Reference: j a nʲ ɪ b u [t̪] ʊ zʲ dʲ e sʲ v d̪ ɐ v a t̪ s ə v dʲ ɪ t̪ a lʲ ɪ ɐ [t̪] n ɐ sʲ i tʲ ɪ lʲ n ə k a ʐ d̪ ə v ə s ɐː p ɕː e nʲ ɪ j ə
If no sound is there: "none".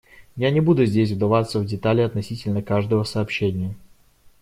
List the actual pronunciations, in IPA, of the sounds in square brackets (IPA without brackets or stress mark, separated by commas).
d̪, t̪